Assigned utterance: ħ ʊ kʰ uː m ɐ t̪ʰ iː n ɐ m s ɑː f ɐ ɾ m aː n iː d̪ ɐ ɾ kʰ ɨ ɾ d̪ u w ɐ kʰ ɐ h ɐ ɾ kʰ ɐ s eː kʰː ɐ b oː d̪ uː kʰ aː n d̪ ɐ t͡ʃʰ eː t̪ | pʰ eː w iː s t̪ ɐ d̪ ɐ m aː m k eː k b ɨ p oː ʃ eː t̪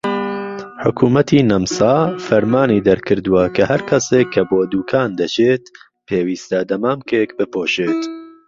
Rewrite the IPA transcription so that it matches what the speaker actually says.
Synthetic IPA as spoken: ħ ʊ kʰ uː m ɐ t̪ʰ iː n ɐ m s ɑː f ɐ ɾ m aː n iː d̪ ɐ ɾ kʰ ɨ ɾ d̪ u w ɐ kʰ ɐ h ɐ ɾ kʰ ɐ s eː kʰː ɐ b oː d̪ uː kʰ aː n d̪ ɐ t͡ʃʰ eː t̪ | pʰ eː w iː s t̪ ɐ d̪ ɐ m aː m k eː k b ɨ p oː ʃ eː t̪